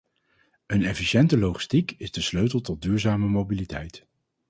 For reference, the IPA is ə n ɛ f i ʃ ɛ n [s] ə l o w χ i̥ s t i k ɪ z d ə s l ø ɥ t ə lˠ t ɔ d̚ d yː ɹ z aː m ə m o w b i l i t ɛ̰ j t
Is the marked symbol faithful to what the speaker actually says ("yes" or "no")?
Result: no